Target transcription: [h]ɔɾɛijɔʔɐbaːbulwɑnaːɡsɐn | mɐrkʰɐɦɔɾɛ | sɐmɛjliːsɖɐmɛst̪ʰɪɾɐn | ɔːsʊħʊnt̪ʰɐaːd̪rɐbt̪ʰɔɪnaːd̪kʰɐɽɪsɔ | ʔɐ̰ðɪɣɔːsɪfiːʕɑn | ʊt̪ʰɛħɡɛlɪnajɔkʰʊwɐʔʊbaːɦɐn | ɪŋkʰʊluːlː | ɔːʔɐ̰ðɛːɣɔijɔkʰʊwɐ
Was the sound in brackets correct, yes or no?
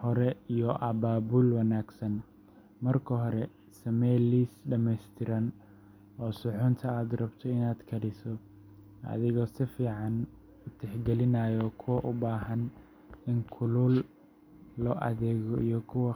yes